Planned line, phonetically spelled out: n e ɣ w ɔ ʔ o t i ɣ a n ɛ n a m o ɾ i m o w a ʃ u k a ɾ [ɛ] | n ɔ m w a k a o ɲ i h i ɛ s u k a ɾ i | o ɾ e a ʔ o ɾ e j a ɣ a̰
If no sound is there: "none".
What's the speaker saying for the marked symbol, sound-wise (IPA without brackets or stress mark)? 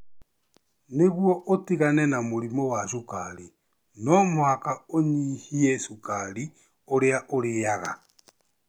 i